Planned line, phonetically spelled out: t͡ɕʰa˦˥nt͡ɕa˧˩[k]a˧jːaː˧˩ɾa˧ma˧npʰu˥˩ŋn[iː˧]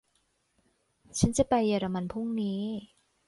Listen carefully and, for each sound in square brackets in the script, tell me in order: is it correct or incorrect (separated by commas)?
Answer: incorrect, incorrect